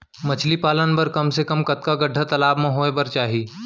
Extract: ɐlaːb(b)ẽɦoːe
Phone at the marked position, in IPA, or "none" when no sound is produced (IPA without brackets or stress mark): m